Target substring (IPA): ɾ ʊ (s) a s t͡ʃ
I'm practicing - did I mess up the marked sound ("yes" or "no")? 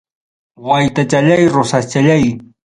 no